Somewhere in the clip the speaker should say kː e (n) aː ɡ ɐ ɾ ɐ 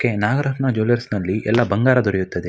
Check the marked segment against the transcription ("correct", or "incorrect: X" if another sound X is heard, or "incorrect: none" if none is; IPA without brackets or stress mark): correct